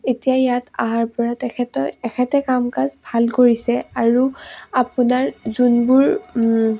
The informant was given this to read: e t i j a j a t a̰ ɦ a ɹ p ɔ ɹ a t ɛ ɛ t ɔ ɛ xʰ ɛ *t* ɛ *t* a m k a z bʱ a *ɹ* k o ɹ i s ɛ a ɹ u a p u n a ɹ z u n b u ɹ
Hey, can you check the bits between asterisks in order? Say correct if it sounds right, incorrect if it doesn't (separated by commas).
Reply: correct, incorrect, incorrect